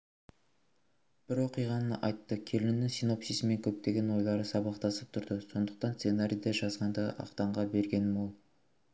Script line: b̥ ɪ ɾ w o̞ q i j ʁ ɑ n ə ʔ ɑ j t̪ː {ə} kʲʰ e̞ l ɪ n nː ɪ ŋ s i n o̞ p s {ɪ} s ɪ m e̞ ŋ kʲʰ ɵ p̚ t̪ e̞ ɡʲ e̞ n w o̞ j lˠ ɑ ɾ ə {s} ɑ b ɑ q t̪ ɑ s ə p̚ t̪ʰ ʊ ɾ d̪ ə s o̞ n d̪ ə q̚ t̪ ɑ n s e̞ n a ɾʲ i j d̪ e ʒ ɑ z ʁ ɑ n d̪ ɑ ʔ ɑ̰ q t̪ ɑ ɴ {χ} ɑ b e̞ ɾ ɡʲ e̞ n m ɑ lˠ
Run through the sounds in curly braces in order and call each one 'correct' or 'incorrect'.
correct, incorrect, correct, incorrect

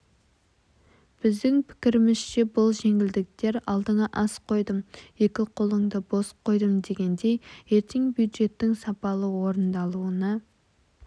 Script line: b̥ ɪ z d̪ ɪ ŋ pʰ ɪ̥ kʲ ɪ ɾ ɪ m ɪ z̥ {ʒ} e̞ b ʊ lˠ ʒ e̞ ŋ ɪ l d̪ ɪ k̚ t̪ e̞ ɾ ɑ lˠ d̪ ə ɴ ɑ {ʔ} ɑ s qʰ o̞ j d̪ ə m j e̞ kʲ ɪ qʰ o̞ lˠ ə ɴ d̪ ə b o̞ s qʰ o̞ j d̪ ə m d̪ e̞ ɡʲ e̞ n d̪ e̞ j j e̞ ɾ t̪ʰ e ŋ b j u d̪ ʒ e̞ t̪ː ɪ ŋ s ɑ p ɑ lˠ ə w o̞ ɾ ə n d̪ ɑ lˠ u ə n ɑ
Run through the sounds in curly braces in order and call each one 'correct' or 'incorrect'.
incorrect, correct

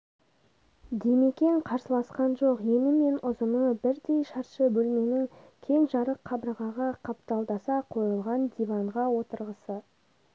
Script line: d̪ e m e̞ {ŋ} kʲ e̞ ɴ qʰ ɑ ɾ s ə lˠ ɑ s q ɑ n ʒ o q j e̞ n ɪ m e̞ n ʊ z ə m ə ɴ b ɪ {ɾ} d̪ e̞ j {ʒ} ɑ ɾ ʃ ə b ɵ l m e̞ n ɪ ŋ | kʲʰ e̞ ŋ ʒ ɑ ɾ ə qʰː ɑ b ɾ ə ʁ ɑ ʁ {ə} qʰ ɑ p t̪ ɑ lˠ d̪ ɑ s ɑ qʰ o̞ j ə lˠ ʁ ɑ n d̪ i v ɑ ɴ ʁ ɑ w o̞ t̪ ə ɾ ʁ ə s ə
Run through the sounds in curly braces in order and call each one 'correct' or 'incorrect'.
incorrect, correct, incorrect, incorrect

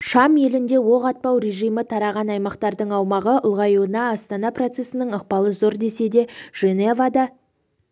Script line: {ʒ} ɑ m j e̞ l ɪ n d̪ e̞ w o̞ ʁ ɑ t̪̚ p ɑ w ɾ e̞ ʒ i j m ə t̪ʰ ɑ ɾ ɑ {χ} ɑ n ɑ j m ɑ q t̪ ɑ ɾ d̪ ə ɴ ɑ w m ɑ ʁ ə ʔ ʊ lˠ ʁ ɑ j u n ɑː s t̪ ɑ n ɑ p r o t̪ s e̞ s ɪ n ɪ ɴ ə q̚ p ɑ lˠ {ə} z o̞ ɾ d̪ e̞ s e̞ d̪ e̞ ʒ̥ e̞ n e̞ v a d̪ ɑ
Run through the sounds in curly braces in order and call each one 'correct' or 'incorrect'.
incorrect, incorrect, correct

